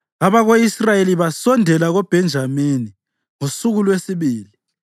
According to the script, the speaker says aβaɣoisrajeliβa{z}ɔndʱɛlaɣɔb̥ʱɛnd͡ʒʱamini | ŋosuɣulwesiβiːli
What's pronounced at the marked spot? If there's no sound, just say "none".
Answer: s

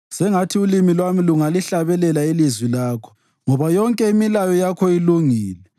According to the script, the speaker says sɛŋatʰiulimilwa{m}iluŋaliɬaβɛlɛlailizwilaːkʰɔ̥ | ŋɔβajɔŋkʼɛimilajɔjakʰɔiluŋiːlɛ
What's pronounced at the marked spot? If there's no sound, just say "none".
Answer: m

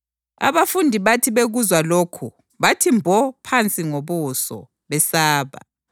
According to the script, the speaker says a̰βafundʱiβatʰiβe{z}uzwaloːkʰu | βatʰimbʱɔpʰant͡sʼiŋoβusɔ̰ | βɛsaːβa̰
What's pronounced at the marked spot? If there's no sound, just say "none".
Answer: ɣ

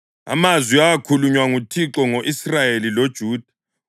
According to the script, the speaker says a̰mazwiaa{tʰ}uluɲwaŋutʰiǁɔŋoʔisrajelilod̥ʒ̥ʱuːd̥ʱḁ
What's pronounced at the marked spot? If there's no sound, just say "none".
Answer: kʰ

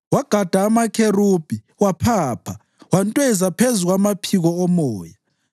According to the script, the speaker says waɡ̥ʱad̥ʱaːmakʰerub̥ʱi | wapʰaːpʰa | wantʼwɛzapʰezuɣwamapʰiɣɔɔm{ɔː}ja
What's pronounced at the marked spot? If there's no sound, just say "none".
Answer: ɔː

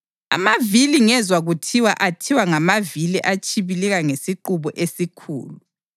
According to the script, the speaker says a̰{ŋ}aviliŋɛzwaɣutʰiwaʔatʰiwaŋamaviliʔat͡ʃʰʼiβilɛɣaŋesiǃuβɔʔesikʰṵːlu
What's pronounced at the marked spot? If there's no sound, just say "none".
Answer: m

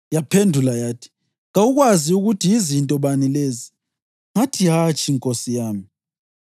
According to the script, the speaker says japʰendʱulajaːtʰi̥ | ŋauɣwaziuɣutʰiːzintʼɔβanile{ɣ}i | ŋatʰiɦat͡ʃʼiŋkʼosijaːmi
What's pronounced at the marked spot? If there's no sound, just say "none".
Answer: z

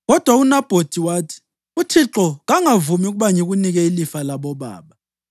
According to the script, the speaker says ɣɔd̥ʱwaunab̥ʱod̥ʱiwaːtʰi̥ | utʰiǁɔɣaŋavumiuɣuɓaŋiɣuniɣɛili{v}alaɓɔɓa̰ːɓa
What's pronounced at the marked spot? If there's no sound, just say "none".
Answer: f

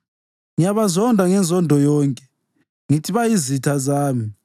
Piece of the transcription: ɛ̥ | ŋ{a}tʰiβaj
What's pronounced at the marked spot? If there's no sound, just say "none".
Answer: i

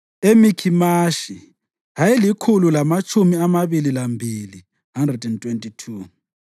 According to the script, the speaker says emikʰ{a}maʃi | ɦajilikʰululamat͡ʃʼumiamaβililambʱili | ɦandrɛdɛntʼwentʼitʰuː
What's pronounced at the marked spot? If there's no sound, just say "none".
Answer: i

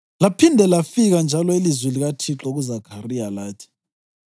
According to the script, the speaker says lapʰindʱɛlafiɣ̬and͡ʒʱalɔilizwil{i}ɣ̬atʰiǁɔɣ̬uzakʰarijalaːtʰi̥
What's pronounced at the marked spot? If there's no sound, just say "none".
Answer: i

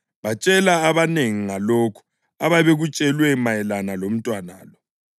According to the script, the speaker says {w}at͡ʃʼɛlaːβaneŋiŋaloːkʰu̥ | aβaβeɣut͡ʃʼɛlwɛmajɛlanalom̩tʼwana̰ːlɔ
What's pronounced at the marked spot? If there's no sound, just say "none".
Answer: β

